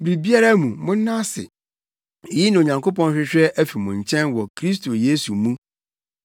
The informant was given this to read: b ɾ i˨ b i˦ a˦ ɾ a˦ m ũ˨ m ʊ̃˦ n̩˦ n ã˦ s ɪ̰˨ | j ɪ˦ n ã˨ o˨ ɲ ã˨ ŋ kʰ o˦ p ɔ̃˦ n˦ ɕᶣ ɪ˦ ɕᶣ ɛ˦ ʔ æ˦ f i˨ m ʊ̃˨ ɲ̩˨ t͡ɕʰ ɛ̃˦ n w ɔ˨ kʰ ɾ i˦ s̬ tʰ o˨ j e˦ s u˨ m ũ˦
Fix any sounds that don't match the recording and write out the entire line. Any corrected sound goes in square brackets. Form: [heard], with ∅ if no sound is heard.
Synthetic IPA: b ɾ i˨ b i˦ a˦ ɾ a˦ m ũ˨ m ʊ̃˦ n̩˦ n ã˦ s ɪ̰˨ | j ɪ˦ n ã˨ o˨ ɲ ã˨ ŋ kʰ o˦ p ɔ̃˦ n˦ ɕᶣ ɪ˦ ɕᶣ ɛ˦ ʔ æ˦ f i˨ m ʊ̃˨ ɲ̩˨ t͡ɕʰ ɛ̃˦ n w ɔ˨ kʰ ɾ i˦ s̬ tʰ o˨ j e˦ s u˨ m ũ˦